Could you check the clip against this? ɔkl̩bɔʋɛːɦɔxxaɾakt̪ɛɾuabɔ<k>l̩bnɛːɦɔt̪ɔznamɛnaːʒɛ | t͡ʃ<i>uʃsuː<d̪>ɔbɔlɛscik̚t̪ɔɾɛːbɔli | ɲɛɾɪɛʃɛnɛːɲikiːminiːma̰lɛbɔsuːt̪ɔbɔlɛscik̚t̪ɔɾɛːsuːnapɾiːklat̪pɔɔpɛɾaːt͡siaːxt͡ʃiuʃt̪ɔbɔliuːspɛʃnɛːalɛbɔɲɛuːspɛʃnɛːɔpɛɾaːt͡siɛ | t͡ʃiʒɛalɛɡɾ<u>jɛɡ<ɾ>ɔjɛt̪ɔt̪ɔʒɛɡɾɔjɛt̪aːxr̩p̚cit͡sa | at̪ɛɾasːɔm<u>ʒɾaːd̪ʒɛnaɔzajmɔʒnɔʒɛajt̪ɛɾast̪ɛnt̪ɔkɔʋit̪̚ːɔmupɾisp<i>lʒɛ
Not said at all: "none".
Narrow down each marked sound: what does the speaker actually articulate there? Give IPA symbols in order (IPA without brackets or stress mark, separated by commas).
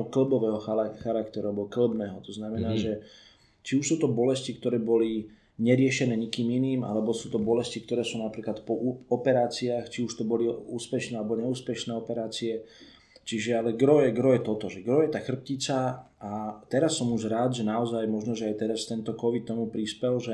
k, i, t̪, ɔ, ɾ, u, ɛ